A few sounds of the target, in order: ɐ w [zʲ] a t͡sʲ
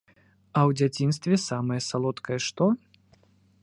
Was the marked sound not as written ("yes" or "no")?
yes